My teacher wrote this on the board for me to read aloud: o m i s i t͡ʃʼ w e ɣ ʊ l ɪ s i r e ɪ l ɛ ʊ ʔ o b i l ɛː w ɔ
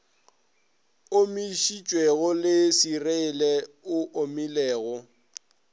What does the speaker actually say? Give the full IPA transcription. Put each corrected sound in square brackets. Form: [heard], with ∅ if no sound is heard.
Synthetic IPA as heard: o m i [ʃ] i t͡ʃʼ w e ɣ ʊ l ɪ s i r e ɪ l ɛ ʊ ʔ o [m] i l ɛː [ɣ] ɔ